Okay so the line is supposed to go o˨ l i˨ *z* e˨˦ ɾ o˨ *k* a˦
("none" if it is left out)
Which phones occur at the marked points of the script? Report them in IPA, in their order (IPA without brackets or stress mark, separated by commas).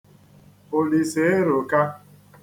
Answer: s, k